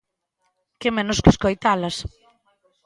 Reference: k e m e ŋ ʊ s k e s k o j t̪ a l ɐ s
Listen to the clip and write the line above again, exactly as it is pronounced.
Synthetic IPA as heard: k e m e n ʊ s k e s k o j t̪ a l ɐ s